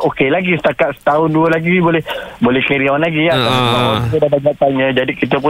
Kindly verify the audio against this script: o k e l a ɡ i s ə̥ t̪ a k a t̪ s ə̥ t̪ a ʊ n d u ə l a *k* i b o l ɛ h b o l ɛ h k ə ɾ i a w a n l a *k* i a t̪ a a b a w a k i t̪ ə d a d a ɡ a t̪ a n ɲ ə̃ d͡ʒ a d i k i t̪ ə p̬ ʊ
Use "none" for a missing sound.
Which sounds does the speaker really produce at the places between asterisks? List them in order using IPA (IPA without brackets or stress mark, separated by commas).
ɡ, ɡ